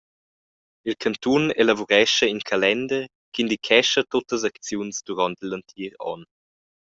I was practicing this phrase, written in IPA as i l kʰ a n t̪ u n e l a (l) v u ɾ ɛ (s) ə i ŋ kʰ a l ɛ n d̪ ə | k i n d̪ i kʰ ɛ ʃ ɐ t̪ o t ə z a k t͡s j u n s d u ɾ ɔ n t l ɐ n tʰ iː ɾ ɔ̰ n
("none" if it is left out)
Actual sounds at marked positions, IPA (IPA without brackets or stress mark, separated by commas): none, ʃ